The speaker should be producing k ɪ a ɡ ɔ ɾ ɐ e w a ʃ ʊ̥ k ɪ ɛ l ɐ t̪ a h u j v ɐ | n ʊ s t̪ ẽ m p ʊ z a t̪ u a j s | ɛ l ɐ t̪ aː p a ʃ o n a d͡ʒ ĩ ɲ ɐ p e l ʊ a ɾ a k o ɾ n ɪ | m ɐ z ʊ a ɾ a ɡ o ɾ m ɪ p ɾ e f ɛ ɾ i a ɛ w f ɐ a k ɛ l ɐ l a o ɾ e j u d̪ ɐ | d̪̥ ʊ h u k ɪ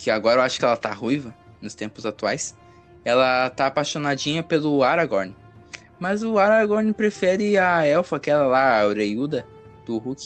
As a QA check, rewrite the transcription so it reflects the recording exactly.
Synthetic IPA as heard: k ɪ a ɡ ɔ ɾ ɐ e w a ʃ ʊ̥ k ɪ ɛ l ɐ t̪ a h u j v ɐ | n ʊ s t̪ ẽ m p ʊ z a t̪ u a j s | ɛ l ɐ t̪ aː p a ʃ o n a d͡ʒ ĩ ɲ ɐ p e l ʊ a ɾ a ɡ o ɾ n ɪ | m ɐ z ʊ a ɾ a ɡ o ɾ n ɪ p ɾ e f ɛ ɾ ɪ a ɛ w f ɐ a k ɛ l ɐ l a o ɾ e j u d̪ ɐ | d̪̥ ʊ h u k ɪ